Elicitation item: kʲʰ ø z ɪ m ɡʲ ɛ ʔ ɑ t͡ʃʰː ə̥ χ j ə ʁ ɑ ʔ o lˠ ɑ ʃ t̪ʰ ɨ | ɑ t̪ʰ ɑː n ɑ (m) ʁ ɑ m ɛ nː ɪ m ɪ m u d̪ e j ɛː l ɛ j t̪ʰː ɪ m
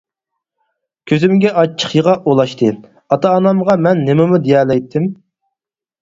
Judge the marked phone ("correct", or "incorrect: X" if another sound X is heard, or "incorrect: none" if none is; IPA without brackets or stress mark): correct